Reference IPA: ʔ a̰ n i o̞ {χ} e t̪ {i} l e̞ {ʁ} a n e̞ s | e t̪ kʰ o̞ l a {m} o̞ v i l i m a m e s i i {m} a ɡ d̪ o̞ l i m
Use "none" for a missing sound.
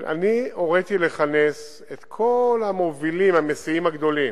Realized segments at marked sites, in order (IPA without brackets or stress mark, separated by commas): ʁ, i, χ, m, m